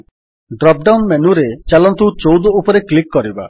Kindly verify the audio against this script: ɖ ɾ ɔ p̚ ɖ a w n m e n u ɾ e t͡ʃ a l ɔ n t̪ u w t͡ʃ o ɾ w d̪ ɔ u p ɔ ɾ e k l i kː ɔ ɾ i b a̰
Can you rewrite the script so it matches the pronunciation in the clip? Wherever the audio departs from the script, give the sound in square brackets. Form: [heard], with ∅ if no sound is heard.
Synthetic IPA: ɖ ɾ ɔ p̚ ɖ a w n m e n u ɾ e t͡ʃ a l ɔ n t̪ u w t͡ʃ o [∅] w d̪ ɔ u p ɔ ɾ e k l i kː ɔ ɾ i b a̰

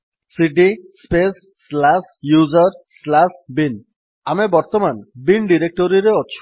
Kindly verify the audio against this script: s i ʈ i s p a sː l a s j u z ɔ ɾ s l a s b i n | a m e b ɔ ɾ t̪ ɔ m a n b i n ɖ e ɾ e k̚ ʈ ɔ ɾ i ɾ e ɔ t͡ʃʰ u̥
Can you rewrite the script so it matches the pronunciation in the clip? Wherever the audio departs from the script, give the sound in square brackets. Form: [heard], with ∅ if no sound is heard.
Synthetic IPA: s i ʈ i s p [e] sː l a s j u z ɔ ɾ s l a s b i n | a m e b ɔ ɾ t̪ ɔ m a n b i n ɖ [i] ɾ e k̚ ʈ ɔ ɾ i ɾ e ɔ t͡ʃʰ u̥

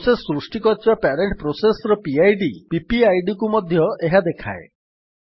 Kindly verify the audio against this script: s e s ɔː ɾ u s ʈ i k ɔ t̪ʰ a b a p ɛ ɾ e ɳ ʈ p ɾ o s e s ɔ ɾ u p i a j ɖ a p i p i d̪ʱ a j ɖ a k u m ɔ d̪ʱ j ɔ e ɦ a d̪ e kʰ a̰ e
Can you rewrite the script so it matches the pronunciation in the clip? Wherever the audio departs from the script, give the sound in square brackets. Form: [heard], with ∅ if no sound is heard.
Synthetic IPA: s e s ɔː ɾ u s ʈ i k ɔ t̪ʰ [i] b a p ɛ ɾ e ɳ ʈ p ɾ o s e s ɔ ɾ [ɔ] p i a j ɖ [i] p i p i [∅] a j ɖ [i] k u m ɔ d̪ʱ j ɔ e ɦ a d̪ e kʰ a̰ e

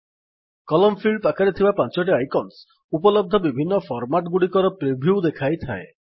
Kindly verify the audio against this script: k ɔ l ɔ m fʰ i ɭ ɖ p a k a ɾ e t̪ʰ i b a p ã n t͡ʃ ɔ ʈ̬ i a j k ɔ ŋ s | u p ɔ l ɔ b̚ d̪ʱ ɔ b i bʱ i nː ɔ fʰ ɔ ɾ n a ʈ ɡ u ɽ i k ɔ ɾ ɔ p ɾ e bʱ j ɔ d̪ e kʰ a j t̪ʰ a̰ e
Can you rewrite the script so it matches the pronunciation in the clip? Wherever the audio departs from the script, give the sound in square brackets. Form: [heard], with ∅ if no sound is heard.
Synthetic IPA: k ɔ l ɔ m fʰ i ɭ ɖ p a k a ɾ e t̪ʰ i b a p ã n t͡ʃ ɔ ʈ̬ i a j k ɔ [n] s | u p ɔ l ɔ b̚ d̪ʱ ɔ b i bʱ i nː ɔ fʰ ɔ ɾ [m] a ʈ ɡ u ɽ i k ɔ ɾ ɔ p ɾ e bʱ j [u] d̪ e kʰ a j t̪ʰ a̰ e

